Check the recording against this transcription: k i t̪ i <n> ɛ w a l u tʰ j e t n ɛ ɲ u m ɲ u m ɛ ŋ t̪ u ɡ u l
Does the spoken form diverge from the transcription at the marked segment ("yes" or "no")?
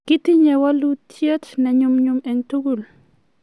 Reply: yes